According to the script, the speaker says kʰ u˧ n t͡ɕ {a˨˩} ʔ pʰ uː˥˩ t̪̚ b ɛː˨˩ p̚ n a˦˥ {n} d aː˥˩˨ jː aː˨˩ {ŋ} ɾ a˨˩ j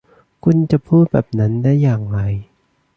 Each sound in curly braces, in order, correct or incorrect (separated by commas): correct, correct, correct